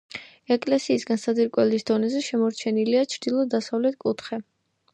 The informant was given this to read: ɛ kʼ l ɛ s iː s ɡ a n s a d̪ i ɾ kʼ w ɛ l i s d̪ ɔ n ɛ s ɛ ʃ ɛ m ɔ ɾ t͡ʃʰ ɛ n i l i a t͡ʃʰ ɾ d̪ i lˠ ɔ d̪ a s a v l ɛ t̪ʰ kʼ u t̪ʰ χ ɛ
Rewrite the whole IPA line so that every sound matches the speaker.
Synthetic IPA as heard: ɛ kʼ l ɛ s iː s ɡ a n s a d̪ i ɾ kʼ w ɛ l i s d̪ ɔ n ɛ z ɛ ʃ ɛ m ɔ ɾ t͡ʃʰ ɛ n i l i a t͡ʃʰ ɾ d̪ i lˠ ɔ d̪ a s a v l ɛ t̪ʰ kʼ u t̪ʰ χ ɛ